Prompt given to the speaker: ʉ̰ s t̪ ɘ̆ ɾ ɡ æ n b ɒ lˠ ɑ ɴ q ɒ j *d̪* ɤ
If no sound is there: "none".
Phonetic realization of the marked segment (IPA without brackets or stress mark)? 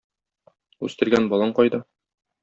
d̪